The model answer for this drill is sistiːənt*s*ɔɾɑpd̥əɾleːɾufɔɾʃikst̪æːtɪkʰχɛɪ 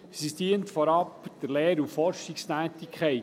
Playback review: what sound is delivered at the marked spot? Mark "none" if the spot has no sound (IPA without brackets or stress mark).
f